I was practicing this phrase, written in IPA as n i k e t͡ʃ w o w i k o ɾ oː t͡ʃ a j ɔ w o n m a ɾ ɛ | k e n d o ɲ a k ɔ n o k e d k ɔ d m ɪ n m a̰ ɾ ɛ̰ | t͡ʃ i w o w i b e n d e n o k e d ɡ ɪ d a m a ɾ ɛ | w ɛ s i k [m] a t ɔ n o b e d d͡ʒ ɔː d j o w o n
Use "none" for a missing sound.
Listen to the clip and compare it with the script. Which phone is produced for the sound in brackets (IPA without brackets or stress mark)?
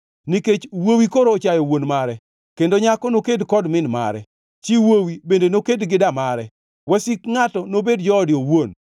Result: ŋ